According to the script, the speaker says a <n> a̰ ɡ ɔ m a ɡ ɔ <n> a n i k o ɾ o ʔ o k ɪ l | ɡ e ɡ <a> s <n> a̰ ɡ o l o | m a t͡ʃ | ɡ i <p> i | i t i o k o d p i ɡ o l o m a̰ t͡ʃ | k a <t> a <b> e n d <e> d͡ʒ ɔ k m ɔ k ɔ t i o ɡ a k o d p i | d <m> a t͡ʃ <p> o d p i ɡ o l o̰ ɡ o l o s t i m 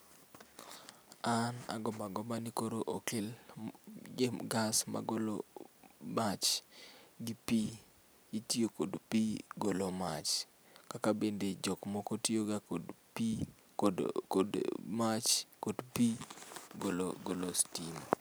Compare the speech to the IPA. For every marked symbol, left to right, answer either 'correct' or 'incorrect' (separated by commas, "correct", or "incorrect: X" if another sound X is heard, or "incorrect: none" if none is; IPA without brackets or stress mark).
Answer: correct, incorrect: m, correct, incorrect: m, correct, incorrect: k, correct, correct, correct, incorrect: k